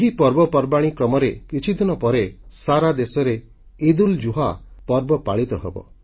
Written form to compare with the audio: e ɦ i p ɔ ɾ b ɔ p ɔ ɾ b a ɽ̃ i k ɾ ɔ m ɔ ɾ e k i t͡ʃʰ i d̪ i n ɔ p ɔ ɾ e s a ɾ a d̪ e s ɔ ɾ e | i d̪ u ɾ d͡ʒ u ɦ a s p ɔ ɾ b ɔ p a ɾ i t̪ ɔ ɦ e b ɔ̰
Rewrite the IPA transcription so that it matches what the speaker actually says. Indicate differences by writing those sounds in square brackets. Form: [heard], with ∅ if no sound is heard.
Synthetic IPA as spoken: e ɦ i p ɔ ɾ b ɔ p ɔ ɾ b a ɽ̃ i k ɾ ɔ m ɔ ɾ e k i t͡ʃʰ i d̪ i n ɔ p ɔ ɾ e s a ɾ a d̪ e s ɔ ɾ e | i d̪ u [l] d͡ʒ u ɦ a [∅] p ɔ ɾ b ɔ p a [ɭ] i t̪ ɔ ɦ e b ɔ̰